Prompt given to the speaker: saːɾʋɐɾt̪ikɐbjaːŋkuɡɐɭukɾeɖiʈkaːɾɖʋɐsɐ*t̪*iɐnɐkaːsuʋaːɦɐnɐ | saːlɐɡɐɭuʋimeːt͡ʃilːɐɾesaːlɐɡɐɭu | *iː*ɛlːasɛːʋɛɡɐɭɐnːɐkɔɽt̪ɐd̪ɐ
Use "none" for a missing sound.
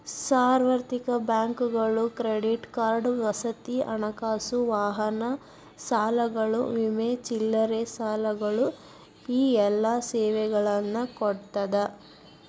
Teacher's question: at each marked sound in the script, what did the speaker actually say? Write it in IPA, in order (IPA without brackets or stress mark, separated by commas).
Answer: t̪, iː